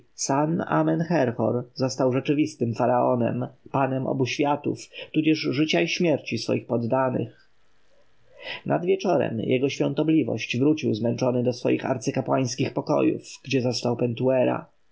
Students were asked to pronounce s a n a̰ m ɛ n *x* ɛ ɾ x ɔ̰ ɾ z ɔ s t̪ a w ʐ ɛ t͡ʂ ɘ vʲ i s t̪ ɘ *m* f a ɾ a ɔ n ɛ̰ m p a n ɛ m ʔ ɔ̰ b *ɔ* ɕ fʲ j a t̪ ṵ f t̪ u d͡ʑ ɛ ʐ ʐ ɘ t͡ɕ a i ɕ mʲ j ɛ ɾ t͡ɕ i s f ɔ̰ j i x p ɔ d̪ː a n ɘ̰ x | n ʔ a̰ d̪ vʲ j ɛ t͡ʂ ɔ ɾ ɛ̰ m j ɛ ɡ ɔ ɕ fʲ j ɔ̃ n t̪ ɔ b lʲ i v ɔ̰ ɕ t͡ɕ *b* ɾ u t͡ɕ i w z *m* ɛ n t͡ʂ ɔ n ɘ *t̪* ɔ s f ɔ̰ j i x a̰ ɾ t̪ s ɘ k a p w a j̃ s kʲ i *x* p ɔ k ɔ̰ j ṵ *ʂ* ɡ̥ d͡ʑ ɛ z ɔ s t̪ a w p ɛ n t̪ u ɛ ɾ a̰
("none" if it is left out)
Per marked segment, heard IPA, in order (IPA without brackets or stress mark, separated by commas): x, m, u, v, m, d̪, x, f